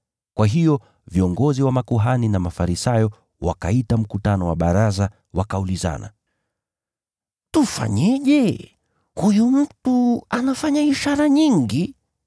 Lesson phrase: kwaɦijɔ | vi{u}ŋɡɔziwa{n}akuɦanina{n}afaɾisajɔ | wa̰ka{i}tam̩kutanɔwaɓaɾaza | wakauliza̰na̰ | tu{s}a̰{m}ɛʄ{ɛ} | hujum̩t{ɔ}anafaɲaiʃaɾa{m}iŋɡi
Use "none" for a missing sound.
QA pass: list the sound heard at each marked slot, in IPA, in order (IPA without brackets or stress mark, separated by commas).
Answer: ɔ, m, m, i, f, ɲ, ɛ, u, ɲ